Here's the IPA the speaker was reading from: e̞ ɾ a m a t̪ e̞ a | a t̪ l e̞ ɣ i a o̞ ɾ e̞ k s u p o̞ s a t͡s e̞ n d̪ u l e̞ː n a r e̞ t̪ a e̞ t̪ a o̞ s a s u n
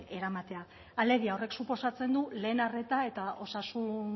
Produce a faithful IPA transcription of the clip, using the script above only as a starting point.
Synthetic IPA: e̞ ɾ a m a t̪ e̞ a | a l e̞ ɣ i a o̞ r e̞ k s u p o̞ s a t͡s e̞ n d̪ u l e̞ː n a r e̞ t̪ a e̞ t̪ a o̞ s a s u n